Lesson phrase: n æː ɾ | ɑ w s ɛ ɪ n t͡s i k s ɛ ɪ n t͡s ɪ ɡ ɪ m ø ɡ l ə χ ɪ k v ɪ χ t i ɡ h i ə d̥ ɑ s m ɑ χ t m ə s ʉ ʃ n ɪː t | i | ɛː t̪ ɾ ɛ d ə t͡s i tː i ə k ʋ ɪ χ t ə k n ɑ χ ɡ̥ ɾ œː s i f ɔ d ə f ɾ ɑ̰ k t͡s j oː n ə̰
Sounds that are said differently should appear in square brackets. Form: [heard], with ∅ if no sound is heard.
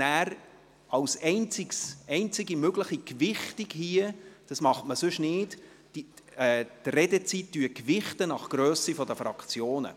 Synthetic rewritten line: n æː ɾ | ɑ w s ɛ ɪ n t͡s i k s ɛ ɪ n t͡s ɪ ɡ [i] m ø ɡ l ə χ [i] k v ɪ χ t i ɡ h i ə d̥ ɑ s m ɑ χ t m ə s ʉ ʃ n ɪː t | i | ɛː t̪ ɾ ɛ d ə t͡s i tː [y] ə k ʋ ɪ χ t ə [∅] n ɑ χ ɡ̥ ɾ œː s i f ɔ d ə f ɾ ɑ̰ k t͡s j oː n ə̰